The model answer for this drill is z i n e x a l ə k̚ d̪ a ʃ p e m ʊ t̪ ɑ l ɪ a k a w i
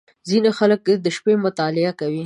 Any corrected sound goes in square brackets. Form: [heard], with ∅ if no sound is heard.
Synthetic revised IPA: z i n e x a l ə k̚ d̪ [ə] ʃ p e m ʊ t̪ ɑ l ɪ a k a w i